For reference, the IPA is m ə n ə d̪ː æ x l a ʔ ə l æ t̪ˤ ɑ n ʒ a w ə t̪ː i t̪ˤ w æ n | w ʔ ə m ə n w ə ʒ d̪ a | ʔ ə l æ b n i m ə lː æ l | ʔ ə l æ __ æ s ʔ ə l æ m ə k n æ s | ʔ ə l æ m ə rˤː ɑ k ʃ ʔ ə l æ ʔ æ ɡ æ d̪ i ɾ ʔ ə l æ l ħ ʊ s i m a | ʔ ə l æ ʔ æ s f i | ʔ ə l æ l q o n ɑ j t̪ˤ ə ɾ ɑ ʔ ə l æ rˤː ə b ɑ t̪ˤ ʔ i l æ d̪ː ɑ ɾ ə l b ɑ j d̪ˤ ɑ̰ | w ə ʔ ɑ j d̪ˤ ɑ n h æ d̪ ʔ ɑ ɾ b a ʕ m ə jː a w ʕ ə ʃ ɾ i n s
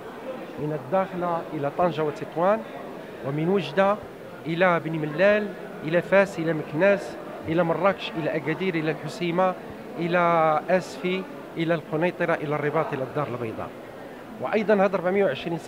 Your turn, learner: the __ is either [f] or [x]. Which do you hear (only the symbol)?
f